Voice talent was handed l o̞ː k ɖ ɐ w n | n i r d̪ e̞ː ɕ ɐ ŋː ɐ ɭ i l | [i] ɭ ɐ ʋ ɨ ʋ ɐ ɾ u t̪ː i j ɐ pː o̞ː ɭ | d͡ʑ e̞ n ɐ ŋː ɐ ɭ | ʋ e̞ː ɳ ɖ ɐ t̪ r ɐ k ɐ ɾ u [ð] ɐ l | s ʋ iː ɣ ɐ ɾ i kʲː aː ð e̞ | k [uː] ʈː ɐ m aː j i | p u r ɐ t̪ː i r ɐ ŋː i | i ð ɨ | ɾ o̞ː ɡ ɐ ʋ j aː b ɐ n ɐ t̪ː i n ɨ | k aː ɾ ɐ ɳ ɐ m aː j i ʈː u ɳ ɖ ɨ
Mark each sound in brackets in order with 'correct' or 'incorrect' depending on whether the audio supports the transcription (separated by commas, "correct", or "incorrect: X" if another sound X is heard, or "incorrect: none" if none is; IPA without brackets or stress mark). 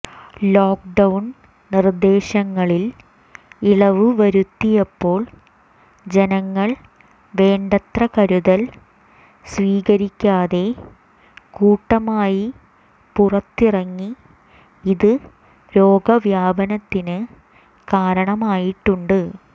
correct, correct, correct